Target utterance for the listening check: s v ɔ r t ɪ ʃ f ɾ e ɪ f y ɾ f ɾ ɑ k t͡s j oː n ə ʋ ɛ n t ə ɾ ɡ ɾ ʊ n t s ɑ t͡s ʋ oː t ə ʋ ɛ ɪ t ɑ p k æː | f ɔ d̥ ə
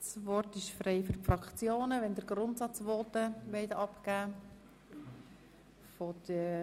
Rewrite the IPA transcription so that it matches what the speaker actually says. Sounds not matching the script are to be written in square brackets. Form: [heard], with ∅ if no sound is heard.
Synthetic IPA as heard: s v ɔ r t ɪ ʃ f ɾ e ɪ f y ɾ f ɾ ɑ k t͡s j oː n ə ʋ ɛ n [d] ə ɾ ɡ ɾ ʊ n t s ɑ t͡s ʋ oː t ə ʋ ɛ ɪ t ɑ p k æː | f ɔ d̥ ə

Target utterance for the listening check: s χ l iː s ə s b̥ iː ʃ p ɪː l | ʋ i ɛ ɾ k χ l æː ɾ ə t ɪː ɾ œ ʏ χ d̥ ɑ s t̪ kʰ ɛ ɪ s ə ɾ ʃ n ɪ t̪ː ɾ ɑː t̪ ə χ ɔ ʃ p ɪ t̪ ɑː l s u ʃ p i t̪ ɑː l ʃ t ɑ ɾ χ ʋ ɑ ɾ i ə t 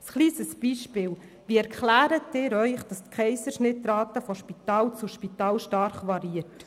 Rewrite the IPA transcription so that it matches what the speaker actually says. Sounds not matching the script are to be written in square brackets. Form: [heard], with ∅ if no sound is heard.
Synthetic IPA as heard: s χ l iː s ə s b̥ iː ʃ p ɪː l | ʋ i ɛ ɾ k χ l æː ɾ ə t ɪː ɾ œ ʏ χ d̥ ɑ s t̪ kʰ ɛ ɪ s ə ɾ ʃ n ɪ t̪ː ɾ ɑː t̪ ə [f] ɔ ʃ p [i] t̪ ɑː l [t͡s] u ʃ p i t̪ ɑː l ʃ t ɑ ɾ χ ʋ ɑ ɾ i ə t

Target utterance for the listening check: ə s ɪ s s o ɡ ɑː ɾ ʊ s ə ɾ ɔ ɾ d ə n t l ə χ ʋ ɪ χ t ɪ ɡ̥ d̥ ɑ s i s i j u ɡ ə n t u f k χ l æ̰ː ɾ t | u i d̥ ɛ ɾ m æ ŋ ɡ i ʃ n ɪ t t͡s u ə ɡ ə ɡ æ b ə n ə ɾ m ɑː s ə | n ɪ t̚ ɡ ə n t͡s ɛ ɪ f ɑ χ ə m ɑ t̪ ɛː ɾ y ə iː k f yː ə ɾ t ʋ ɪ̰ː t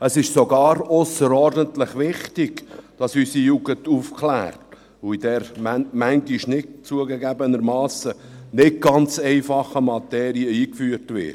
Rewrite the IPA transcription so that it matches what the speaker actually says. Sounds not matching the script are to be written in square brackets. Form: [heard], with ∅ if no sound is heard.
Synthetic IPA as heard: ə s ɪ [ʃ] s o ɡ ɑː ɾ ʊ s ə ɾ ɔ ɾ d ə n t l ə χ ʋ ɪ χ t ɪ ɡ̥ d̥ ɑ s [y] s i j u ɡ ə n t u f k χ l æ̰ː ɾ t | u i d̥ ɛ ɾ m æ ŋ ɡ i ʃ n ɪ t t͡s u ə ɡ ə ɡ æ b ə n ə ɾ m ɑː s ə | n ɪ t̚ ɡ [ɑ] n t͡s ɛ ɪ f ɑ χ ə m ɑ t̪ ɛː ɾ [i] ə iː k f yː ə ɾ t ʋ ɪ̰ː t

